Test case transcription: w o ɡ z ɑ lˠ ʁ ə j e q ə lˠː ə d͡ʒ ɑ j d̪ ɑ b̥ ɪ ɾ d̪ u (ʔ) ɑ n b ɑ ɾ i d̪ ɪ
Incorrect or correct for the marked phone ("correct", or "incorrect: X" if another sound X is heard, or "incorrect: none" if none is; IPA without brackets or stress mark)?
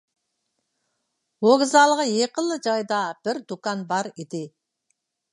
incorrect: k